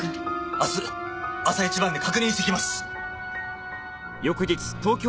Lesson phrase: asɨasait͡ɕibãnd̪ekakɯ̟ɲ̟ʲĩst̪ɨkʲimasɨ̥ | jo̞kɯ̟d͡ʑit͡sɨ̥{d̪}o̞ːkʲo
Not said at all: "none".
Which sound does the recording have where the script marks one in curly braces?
t̪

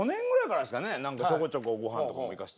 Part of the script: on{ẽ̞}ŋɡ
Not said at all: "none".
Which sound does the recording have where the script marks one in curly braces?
ẽ̞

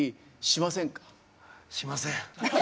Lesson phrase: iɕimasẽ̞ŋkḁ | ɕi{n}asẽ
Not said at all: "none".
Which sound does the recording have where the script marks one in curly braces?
m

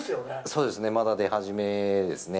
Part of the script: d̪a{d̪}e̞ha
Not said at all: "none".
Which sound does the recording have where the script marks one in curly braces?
d̪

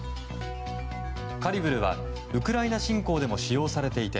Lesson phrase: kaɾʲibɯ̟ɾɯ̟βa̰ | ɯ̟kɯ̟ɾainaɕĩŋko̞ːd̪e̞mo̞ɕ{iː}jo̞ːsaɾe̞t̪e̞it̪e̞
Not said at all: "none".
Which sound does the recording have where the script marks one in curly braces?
i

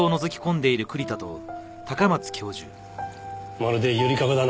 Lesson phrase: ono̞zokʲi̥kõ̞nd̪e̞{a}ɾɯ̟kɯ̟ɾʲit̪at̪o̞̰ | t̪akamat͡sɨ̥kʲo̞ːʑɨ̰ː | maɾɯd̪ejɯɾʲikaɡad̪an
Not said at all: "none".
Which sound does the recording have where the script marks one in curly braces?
i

